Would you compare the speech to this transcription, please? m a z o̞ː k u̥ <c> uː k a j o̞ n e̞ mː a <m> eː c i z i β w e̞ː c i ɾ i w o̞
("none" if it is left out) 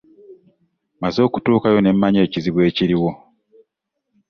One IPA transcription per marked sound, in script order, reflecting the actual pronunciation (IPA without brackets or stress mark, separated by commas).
t, ɲ